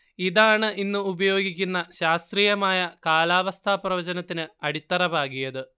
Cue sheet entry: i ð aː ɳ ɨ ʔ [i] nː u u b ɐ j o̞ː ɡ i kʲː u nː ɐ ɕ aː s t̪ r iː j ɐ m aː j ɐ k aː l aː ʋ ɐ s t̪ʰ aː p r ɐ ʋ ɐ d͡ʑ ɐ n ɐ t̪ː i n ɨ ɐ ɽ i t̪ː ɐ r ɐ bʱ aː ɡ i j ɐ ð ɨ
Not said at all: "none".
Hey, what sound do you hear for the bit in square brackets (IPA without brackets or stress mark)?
i